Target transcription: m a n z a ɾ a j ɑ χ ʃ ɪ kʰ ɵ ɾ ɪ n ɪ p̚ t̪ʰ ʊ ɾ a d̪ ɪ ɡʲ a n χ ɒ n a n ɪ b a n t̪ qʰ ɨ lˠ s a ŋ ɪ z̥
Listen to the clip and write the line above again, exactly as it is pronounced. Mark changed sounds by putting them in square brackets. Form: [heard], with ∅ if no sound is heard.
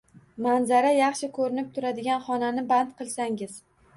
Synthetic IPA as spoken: m a n z a ɾ a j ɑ χ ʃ ɪ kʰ ɵ ɾ ɪ n ɪ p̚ t̪ʰ ʊ ɾ a d̪ ɪ ɡʲ a n χ ɒ n a n ɪ b a n t̪ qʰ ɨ lˠ s a ŋ ɪ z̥